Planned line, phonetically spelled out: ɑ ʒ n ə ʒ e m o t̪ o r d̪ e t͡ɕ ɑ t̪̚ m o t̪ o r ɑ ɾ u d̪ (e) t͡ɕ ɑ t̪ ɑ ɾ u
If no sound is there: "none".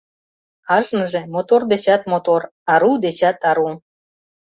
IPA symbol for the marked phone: e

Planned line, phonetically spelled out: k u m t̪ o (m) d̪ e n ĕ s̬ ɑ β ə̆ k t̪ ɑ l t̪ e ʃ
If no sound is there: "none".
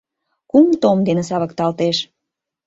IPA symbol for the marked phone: m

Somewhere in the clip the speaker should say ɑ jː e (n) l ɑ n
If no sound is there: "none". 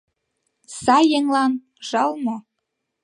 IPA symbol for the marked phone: ŋ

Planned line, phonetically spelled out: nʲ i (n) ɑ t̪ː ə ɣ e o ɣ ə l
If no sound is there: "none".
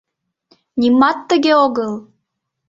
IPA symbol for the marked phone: m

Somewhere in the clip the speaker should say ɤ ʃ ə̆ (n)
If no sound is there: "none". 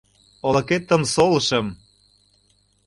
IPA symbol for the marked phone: m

